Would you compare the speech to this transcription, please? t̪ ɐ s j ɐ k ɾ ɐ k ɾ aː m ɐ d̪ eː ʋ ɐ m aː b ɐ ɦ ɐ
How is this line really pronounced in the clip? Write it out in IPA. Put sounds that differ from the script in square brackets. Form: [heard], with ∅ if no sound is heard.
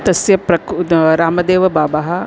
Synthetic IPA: t̪ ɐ s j ɐ [p] ɾ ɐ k ɾ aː m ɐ d̪ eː ʋ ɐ [b] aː b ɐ ɦ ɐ